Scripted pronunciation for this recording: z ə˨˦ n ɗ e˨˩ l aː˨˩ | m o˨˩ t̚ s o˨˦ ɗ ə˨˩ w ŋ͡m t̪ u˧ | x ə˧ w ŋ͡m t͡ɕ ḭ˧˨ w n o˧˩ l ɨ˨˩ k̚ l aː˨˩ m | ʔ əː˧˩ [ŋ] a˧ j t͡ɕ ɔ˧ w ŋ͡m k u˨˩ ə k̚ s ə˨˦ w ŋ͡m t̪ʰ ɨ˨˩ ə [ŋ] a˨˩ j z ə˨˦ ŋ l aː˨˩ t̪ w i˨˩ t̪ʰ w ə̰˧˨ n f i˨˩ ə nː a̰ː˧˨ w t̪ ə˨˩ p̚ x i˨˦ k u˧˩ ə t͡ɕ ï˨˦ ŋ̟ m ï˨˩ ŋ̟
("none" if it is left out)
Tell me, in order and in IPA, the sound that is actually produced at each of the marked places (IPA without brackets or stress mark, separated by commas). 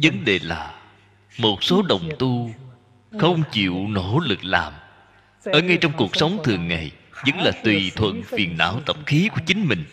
ŋ, ŋː